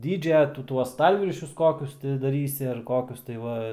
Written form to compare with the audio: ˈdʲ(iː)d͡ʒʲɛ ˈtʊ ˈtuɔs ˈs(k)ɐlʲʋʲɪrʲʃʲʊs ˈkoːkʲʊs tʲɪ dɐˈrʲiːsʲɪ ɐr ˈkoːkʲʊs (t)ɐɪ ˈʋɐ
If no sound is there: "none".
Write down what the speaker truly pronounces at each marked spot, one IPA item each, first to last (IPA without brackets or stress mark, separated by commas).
iː, t, t